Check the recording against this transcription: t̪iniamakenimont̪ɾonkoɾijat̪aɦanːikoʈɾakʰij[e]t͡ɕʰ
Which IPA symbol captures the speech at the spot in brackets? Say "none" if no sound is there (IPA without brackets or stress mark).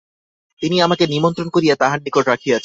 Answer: a